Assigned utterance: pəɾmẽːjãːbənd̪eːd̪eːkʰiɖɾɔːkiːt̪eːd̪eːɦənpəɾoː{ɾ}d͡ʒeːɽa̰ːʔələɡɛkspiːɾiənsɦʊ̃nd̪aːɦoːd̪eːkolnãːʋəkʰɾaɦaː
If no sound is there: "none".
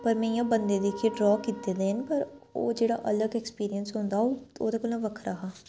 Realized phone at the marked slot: none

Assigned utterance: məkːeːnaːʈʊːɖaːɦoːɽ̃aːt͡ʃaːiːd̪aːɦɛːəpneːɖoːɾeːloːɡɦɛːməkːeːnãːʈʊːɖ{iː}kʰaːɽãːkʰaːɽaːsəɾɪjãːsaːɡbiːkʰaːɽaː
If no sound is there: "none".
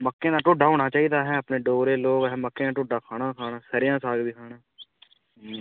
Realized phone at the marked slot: aː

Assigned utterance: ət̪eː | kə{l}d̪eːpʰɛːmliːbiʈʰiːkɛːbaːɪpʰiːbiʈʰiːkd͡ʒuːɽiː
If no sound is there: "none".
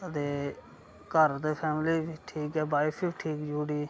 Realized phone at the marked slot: ɾ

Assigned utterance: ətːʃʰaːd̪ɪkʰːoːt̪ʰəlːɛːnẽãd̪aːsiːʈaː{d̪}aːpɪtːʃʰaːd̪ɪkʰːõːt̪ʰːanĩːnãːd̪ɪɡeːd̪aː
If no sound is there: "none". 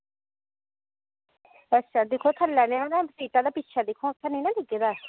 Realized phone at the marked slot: d̪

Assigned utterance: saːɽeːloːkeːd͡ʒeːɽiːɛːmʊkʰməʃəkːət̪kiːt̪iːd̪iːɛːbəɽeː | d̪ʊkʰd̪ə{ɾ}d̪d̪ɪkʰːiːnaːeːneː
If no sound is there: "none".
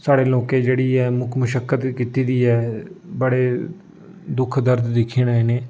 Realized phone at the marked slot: ɾ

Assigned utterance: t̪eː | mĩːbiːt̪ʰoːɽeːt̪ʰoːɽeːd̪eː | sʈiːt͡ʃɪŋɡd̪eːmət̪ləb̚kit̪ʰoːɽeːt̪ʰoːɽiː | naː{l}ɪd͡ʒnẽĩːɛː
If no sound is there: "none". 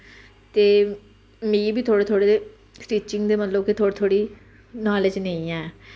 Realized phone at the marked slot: l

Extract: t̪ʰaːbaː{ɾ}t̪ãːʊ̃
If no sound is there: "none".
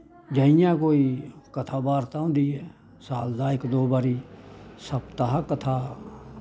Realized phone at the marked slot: ɾ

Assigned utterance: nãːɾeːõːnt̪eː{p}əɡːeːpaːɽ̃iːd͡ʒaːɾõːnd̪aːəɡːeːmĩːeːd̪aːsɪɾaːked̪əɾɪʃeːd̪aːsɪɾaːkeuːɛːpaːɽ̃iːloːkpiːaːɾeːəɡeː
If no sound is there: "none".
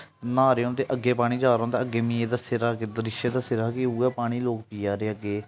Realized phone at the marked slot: ʔ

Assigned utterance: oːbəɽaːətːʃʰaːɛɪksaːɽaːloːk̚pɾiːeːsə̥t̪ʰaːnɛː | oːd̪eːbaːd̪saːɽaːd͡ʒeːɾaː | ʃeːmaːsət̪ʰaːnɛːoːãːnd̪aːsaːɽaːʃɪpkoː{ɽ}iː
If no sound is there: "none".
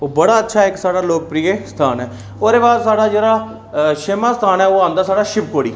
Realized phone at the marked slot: ɽ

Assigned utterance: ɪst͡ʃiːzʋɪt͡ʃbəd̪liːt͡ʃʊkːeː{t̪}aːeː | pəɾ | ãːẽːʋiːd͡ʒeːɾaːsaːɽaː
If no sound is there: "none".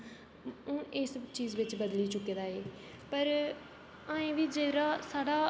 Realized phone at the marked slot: d̪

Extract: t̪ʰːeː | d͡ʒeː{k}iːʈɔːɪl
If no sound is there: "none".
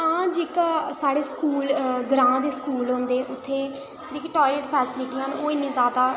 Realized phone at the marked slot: k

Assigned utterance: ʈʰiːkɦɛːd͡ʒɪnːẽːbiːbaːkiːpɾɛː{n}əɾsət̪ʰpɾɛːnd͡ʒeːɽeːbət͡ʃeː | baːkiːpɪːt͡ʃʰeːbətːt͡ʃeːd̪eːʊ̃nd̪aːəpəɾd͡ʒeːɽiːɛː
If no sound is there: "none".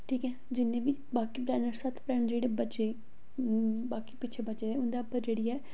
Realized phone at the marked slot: n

